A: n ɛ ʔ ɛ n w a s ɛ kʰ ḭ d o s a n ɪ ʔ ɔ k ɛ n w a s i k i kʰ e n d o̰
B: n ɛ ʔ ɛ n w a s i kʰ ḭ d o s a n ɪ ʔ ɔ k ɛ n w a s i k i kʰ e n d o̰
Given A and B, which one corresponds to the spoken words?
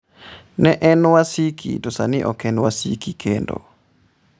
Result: B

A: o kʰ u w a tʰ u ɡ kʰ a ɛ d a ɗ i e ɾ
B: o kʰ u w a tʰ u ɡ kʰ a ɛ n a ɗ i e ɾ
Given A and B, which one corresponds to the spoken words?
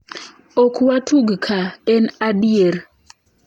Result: B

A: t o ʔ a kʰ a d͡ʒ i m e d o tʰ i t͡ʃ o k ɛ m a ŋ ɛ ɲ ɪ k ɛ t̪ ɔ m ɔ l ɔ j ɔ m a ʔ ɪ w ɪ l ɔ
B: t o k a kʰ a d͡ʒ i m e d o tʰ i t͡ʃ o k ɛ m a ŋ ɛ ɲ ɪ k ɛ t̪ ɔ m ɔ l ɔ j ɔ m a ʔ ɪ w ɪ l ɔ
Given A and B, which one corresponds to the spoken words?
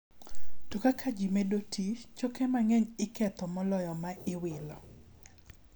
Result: B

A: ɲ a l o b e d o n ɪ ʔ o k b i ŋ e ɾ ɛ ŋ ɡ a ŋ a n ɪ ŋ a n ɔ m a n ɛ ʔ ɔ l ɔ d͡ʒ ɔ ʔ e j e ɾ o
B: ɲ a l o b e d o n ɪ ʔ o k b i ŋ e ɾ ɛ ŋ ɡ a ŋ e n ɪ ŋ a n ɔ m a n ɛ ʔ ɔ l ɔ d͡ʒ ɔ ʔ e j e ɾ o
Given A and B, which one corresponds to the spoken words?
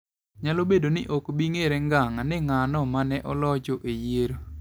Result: A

